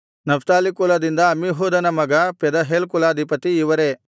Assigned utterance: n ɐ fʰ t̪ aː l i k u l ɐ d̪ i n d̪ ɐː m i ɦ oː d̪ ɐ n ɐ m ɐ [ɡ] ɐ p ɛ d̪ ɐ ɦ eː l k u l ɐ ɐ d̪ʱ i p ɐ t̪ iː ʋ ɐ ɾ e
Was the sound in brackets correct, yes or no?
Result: yes